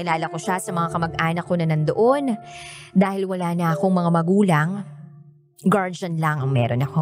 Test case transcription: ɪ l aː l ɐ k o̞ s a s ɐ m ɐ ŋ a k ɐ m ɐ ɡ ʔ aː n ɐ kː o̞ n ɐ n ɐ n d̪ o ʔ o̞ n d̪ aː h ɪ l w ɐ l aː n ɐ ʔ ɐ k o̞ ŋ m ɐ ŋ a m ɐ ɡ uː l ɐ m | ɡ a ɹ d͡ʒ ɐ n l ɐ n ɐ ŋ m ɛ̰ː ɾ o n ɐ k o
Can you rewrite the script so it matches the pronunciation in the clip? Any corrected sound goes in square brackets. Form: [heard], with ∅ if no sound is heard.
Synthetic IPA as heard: ɪ l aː l ɐ k o̞ [ʃ] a s ɐ m ɐ ŋ a k ɐ m ɐ ɡ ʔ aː n ɐ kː o̞ n ɐ n ɐ n d̪ o ʔ o̞ n d̪ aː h ɪ l w ɐ l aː n ɐ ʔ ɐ k o̞ ŋ m ɐ ŋ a m ɐ ɡ uː l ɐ [ŋ] | ɡ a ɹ d͡ʒ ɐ n l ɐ [ŋ] ɐ ŋ m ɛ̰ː ɾ o n ɐ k o